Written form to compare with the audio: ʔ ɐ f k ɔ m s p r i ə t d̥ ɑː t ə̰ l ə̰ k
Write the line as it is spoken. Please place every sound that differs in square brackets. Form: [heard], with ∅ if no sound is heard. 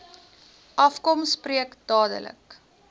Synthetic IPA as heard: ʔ ɐ f k ɔ m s p r i ə [k] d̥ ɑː [d] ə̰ l ə̰ k